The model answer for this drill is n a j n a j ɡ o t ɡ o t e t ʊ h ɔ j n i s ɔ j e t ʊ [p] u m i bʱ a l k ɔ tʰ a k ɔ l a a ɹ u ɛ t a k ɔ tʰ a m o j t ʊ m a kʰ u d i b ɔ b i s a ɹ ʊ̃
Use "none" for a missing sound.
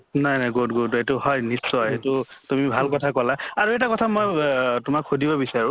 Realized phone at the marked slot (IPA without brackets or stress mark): t